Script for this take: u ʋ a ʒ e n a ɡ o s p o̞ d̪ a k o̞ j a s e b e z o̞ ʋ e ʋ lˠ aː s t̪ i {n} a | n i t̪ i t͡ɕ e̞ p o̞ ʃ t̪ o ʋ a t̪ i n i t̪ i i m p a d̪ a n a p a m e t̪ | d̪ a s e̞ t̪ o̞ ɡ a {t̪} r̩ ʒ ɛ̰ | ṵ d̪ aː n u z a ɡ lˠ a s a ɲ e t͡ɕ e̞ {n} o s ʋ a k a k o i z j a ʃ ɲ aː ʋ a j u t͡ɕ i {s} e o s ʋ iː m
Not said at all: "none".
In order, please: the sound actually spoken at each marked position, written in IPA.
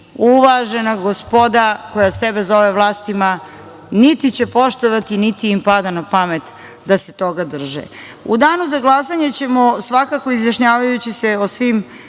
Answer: m, d̪, m, s

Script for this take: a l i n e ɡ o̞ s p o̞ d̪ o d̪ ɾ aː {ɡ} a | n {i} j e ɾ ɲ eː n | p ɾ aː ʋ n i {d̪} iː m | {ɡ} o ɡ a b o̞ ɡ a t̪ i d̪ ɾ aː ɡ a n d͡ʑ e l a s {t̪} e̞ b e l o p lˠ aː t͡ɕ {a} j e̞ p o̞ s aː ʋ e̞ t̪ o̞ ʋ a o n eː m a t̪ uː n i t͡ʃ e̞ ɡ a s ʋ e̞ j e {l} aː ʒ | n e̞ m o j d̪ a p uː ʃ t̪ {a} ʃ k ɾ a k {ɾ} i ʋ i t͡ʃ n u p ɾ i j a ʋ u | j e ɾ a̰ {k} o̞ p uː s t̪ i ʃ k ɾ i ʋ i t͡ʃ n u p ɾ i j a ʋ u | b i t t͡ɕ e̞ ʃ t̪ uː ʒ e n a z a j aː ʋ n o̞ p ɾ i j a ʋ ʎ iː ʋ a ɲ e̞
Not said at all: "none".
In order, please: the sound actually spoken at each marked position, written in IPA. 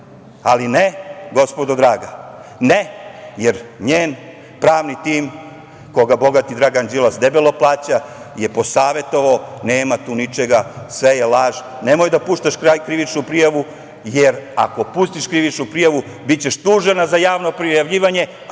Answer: ɡ, e, t̪, k, d̪, a, l, a, ɾ, k

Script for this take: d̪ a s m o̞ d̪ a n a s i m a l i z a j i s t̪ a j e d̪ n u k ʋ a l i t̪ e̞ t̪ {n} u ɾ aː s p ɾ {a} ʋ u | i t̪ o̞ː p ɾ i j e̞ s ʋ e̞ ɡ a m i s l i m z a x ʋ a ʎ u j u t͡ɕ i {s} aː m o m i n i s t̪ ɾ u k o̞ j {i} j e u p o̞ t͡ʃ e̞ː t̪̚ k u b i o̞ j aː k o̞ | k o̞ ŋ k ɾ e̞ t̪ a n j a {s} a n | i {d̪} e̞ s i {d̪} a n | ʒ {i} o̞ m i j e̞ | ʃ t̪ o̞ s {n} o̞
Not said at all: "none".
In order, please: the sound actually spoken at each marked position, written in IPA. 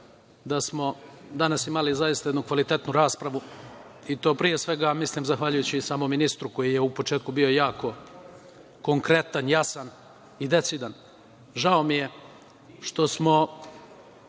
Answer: n, a, s, i, s, d̪, d̪, a, m

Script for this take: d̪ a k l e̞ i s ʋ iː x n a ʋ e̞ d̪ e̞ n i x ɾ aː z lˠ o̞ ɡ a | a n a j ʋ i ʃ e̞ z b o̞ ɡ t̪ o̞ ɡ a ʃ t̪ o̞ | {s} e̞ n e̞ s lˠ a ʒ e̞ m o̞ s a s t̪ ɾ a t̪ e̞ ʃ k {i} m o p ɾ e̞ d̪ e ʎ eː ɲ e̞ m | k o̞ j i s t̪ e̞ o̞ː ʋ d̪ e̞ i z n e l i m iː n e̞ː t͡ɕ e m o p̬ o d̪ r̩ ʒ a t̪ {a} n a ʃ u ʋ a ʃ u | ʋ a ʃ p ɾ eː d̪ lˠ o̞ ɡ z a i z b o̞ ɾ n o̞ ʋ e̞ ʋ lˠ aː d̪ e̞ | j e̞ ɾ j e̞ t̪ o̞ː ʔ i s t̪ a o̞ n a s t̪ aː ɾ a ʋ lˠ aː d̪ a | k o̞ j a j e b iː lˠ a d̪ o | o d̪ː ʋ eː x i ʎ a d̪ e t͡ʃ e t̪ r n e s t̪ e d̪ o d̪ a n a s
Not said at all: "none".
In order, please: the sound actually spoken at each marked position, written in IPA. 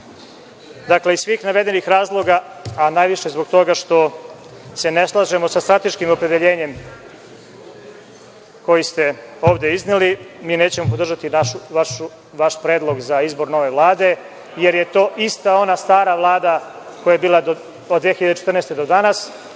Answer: s, i, i

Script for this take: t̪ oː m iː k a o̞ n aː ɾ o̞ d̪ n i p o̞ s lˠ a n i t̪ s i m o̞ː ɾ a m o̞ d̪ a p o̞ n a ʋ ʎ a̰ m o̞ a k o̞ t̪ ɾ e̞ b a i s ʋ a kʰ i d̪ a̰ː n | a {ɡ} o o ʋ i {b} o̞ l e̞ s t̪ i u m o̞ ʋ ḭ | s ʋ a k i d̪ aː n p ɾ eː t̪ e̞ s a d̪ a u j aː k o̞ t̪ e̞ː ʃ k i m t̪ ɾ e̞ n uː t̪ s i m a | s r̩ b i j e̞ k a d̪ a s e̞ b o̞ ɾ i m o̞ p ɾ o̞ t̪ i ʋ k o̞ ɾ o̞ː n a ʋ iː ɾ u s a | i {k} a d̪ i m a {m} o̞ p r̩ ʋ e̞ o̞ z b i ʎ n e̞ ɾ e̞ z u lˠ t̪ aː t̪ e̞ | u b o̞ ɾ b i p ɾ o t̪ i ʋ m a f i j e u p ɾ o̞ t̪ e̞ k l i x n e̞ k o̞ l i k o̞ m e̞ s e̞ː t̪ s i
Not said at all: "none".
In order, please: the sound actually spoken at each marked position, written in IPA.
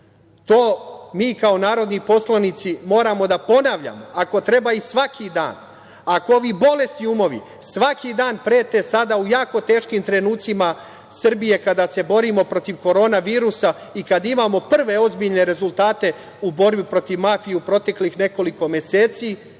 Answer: k, b, k, m

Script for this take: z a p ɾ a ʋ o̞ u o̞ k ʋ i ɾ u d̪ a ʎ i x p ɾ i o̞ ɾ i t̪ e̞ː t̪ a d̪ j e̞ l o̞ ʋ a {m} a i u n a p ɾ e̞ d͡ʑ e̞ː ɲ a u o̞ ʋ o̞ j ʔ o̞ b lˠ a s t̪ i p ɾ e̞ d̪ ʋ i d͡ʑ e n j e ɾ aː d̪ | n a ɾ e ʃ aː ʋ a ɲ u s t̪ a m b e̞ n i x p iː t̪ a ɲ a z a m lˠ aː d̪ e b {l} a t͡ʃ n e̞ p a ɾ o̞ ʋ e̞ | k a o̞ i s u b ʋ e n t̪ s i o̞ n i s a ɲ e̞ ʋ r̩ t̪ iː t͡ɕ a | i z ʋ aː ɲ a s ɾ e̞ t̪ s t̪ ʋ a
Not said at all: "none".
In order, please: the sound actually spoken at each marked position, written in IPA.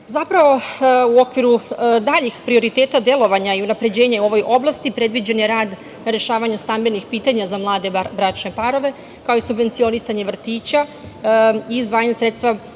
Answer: ɲ, ɾ

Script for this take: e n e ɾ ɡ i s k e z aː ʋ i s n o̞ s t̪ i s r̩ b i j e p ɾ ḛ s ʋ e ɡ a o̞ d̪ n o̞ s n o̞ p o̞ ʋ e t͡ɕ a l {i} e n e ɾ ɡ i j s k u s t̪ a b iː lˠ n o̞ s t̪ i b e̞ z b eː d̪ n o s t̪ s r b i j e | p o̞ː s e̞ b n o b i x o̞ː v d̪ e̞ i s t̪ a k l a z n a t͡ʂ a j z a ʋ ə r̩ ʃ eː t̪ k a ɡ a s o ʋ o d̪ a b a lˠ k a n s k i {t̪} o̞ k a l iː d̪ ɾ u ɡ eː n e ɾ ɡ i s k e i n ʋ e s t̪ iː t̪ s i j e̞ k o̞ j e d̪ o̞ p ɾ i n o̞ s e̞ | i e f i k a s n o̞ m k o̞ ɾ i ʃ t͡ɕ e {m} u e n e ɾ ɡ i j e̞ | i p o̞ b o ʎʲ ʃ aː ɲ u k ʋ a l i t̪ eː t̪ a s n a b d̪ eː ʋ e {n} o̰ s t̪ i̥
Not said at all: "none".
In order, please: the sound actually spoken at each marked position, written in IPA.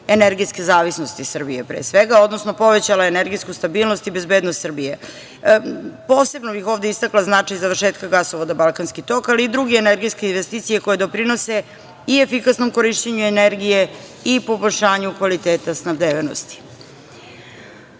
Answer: a, t̪, ɲ, n

